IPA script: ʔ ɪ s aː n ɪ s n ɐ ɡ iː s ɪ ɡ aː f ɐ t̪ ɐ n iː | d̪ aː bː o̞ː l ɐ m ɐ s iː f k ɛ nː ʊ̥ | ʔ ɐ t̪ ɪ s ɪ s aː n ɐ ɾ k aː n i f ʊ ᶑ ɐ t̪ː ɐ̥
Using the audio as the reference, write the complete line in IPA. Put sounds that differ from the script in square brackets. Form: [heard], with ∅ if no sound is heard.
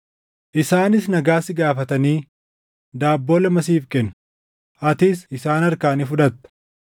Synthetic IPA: ʔ ɪ s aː n ɪ s n ɐ ɡ [aː] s ɪ ɡ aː f ɐ t̪ ɐ n iː | d̪ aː bː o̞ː l ɐ m ɐ s iː f k ɛ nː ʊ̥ | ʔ ɐ t̪ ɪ s ɪ s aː n ɐ ɾ k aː n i f ʊ ᶑ ɐ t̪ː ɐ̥